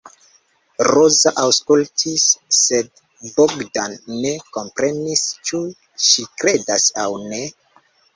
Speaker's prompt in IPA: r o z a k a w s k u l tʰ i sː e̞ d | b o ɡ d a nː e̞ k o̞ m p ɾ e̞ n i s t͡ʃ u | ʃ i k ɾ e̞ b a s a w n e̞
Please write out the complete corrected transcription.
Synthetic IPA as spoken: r o z a ʔ a w s k u l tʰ i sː e̞ d | b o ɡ d a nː e̞ k o̞ m p ɾ e̞ n i s t͡ʃ u | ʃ i k ɾ e̞ d a s a w n e̞